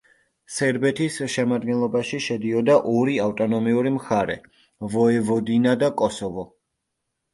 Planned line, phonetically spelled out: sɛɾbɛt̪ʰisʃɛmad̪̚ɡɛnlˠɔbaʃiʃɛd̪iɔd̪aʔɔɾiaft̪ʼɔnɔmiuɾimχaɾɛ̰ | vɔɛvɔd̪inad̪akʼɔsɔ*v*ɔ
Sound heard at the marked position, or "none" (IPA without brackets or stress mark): v